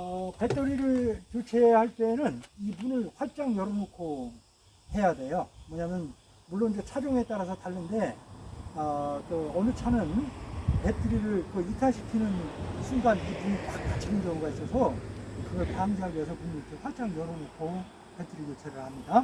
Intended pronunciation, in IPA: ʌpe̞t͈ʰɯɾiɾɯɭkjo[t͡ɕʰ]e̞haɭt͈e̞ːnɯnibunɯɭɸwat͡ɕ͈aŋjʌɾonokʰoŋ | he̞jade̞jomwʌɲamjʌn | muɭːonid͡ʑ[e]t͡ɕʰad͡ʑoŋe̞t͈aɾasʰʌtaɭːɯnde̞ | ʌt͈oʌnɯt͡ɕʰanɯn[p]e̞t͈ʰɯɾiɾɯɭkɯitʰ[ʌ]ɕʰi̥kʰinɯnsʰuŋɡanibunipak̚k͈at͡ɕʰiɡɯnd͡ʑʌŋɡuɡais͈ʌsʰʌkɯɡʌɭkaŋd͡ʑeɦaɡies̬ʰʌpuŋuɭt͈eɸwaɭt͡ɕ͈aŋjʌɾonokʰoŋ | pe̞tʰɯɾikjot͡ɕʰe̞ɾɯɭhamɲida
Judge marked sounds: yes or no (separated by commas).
yes, yes, yes, no